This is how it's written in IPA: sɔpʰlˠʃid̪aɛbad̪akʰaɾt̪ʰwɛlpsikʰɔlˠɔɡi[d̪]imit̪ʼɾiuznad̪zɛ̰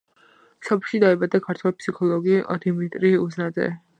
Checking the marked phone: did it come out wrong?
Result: no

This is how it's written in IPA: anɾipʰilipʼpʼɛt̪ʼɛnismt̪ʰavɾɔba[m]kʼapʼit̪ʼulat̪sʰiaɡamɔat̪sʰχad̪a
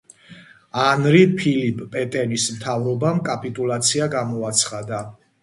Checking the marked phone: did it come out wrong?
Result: no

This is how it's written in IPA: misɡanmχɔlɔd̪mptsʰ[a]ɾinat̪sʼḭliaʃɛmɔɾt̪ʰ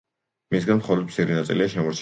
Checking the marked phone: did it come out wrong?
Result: yes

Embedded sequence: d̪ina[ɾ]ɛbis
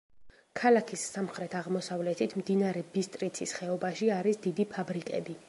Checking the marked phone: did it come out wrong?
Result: no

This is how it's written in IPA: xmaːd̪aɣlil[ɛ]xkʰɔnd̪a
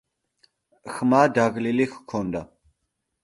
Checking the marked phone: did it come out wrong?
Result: yes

